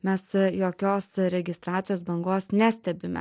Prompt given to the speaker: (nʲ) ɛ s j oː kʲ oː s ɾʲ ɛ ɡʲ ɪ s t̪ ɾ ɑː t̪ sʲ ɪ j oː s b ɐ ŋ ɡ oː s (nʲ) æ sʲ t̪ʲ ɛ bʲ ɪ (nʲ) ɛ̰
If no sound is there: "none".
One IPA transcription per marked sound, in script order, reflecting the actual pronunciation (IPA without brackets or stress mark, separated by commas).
mʲ, nʲ, mʲ